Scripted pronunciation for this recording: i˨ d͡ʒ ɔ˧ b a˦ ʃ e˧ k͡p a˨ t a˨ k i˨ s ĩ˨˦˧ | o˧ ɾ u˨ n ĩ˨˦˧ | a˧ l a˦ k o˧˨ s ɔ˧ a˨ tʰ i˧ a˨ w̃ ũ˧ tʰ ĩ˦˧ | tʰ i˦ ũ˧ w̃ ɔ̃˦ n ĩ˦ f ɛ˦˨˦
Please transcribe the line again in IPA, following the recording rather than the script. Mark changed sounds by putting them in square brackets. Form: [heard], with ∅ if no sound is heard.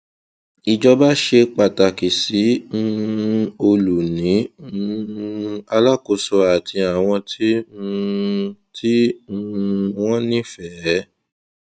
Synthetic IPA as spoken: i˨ d͡ʒ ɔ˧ b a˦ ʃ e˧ k͡p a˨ t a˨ k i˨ s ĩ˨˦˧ | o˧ [l] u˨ n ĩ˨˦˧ | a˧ l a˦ k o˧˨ s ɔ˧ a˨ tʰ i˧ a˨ w̃ [ɔ̃˧] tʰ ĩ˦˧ | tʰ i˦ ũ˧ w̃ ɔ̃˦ n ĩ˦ f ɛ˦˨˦